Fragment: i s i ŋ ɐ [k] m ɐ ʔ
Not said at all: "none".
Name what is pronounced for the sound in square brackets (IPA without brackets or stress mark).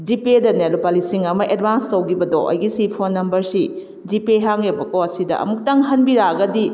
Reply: none